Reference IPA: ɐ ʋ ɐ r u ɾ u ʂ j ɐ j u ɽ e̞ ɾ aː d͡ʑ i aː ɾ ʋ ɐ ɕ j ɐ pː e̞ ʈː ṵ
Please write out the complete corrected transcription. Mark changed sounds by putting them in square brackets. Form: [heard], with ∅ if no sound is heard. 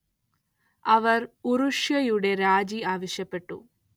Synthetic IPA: ɐ ʋ ɐ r u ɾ u ʂ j ɐ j u ɽ e̞ ɾ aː d͡ʑ i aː [∅] ʋ ɐ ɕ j ɐ pː e̞ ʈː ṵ